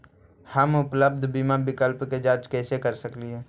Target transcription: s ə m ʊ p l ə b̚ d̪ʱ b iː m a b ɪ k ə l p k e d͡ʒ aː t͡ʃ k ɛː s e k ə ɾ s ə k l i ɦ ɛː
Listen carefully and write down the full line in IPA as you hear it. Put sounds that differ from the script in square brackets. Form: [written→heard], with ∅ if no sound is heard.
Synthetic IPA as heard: [s→h] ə m ʊ p l ə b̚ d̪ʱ b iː m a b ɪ k ə l p k e d͡ʒ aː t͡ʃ k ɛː s e k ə ɾ s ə k l i ɦ ɛː